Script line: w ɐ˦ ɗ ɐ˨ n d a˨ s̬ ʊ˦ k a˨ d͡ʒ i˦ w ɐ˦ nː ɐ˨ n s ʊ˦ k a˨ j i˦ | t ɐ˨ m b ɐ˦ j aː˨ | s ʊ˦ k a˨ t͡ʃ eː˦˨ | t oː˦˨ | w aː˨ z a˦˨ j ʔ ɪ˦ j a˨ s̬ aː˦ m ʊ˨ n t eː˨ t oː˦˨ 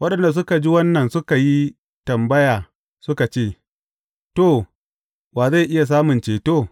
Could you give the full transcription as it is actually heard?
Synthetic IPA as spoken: w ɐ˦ ɗ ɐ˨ n d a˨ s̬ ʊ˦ k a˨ d͡ʒ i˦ w ɐ˦ nː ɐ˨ n s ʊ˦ k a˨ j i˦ | t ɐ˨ m b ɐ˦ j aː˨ | s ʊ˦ k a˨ t͡ʃ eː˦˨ | t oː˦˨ | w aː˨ z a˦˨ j ʔ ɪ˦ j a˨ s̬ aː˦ m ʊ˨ n t͡ʃ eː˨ t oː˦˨

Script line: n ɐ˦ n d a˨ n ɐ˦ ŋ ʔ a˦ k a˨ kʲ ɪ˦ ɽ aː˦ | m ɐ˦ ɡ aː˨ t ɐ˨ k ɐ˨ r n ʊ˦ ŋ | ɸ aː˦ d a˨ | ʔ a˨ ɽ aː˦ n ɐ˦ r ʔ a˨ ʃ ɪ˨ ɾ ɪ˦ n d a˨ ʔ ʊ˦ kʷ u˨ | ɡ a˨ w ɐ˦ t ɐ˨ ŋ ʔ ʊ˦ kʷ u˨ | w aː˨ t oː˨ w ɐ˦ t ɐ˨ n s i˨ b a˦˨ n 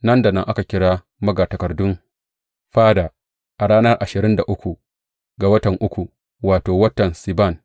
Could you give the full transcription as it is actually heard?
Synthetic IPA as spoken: n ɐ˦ n d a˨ n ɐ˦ ŋ ʔ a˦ k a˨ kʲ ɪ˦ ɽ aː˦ | m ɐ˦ ɡ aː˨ t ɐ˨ k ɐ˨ r d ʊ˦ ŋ | ɸ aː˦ d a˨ | ʔ a˨ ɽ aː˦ n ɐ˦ r ʔ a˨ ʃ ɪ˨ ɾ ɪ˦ n d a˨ ʔ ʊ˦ kʷ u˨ | ɡ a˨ w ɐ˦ t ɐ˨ ŋ ʔ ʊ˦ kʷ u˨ | w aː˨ t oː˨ w ɐ˦ t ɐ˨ n s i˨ b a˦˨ n

